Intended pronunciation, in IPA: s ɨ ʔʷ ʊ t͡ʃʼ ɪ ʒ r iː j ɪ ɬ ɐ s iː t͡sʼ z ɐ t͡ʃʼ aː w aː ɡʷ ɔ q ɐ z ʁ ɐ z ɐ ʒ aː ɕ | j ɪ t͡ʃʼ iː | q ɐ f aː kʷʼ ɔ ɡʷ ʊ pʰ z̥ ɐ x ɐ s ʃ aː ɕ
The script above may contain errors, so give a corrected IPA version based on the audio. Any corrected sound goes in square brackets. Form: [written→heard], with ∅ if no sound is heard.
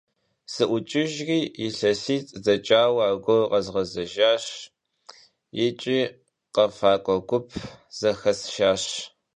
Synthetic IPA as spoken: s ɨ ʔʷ ʊ t͡ʃʼ ɪ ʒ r iː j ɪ ɬ ɐ s iː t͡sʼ z ɐ t͡ʃʼ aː w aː ɡʷ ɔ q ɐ z ʁ ɐ z ɐ ʒ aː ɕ | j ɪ t͡ʃʼ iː | q ɐ f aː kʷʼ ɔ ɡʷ ʊ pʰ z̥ ɐ x ɐ s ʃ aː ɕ